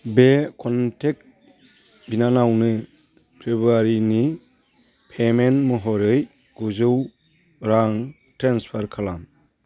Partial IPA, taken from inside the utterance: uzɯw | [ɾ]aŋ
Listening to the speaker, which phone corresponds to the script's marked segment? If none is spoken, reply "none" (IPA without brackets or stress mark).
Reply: ɾ